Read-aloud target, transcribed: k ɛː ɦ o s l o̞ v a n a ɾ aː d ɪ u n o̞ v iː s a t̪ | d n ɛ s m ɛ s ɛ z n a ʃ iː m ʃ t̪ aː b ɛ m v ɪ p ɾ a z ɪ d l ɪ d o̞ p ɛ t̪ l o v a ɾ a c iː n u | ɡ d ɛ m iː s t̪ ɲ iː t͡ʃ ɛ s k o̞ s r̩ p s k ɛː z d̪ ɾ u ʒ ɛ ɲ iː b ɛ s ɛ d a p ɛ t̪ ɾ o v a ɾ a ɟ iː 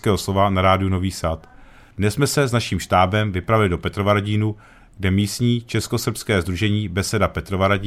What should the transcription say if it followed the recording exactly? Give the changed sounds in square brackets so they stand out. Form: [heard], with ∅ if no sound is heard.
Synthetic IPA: k ɛː ɦ o s l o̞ v a n a ɾ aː d ɪ u n o̞ v iː s a t̪ | d n ɛ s m ɛ s ɛ z n a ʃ iː m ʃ t̪ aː b ɛ m v ɪ p ɾ a [v] ɪ [∅] l ɪ d o̞ p ɛ t̪ [ɾ] o v a ɾ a [ɟ] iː n u | ɡ d ɛ m iː s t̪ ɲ iː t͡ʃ ɛ s k o̞ s r̩ p s k ɛː z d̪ ɾ u ʒ ɛ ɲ iː b ɛ s ɛ d a p ɛ t̪ ɾ o v a ɾ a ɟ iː